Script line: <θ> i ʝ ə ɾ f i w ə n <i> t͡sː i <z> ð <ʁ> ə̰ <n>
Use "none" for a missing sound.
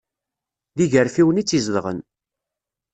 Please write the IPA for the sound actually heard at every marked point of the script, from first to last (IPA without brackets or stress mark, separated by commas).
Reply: ð, i, z, ʁ, n